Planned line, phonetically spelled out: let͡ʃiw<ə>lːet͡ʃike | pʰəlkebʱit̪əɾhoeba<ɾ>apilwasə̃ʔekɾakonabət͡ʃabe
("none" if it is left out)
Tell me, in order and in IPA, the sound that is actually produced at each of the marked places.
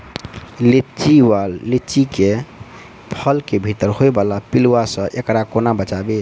a, l

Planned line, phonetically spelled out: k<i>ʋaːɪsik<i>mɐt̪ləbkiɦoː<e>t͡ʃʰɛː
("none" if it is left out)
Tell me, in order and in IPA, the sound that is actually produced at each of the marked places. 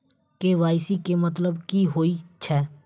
e, e, i

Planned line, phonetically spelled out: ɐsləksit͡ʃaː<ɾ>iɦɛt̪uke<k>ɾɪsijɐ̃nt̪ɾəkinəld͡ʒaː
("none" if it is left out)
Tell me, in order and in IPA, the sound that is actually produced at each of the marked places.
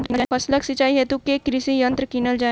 none, k

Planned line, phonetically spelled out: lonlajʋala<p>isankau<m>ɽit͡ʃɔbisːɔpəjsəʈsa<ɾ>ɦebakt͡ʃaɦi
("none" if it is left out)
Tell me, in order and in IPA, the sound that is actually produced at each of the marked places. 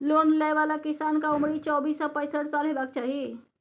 k, m, l

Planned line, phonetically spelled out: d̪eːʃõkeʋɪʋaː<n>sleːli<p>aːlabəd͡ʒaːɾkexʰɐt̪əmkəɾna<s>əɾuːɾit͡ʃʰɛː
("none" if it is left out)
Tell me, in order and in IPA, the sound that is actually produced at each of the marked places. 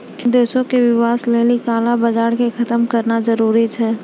none, k, z

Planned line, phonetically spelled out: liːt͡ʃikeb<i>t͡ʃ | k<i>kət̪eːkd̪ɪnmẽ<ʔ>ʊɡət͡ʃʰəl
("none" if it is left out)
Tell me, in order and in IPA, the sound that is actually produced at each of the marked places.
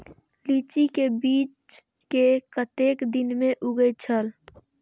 iː, e, ʔ

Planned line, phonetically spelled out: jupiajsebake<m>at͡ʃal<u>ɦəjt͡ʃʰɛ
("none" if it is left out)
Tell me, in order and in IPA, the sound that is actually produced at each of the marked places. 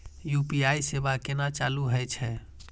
n, u

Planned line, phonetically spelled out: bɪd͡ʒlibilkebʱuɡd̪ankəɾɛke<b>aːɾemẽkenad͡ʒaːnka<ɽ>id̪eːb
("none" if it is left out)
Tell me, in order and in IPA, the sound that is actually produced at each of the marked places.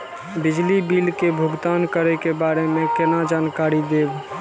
b, ɾ

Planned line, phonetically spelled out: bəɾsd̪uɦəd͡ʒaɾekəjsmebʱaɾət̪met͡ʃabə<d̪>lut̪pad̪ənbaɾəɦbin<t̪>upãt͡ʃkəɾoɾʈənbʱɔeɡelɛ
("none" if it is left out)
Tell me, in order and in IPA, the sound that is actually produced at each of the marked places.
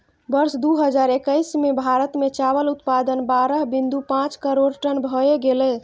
none, d̪

